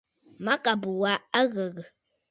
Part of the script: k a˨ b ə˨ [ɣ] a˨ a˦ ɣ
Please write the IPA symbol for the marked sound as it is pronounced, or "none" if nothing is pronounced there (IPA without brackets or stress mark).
w